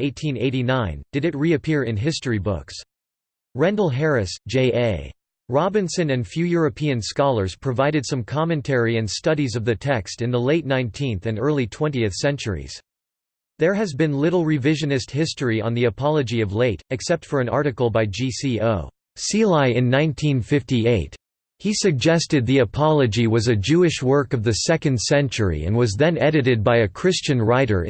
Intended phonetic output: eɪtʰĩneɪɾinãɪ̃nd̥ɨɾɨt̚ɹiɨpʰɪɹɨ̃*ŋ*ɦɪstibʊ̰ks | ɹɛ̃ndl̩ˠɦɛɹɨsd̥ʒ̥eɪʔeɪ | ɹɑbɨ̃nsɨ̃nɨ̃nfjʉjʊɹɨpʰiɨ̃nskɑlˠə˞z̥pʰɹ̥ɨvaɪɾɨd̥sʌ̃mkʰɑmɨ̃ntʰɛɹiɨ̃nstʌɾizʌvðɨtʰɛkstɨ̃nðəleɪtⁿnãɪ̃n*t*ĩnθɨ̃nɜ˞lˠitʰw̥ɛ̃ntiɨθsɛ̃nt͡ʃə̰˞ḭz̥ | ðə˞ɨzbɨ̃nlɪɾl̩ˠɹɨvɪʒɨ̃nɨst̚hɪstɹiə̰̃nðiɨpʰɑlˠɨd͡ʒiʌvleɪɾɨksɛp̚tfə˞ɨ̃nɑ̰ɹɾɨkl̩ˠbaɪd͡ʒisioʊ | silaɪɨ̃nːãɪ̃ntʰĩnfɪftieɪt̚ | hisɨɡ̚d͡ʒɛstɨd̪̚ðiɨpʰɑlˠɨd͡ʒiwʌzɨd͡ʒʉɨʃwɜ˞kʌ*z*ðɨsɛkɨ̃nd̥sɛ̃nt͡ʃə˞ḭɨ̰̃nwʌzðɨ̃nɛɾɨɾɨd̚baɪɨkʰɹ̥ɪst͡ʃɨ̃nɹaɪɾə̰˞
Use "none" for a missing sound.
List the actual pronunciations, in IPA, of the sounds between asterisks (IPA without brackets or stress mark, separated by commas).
n, tʰ, v